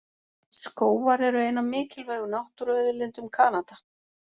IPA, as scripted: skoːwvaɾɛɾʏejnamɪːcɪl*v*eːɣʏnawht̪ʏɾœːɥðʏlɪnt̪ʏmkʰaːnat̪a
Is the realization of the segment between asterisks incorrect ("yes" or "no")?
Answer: no